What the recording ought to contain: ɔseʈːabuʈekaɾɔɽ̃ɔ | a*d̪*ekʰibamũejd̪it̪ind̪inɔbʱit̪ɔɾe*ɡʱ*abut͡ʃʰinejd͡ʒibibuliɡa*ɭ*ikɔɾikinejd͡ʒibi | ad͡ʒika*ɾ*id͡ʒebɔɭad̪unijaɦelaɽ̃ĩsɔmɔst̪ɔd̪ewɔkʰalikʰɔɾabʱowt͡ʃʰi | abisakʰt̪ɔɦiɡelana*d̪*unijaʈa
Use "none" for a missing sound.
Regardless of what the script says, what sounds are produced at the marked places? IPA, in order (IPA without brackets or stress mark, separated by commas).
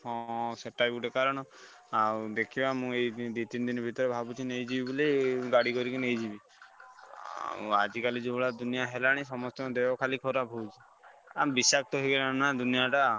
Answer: d̪, bʱ, ɽ, l, d̪